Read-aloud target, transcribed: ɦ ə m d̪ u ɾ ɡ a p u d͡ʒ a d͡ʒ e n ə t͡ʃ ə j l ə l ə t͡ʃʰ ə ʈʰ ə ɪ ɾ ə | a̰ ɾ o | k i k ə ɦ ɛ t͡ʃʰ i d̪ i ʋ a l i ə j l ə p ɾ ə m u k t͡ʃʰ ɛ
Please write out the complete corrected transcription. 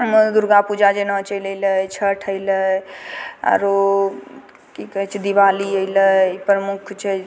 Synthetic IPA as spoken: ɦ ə m d̪ u ɾ ɡ a p u d͡ʒ a d͡ʒ e n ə t͡ʃ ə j l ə l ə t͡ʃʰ ə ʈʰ ə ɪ l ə | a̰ ɾ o | k i k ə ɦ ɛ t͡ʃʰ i d̪ i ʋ a l i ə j l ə p ɾ ə m u kʰ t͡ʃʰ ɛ